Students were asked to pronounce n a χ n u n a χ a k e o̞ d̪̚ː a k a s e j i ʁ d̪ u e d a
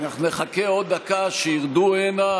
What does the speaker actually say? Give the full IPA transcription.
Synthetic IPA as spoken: n a χ n u n e χ a k e o̞ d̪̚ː a k a ʃ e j i ʁ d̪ u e n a